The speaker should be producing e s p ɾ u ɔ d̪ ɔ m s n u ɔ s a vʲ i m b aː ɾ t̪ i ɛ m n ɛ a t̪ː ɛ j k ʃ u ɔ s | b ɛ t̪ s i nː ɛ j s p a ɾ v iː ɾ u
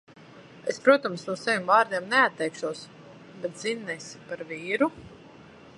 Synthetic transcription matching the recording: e s p ɾ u ɔ t̪ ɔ m s n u ɔ s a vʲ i m v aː ɾ d̪ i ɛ m n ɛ a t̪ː ɛ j k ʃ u ɔ s | b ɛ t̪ z i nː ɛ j s p a ɾ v iː ɾ u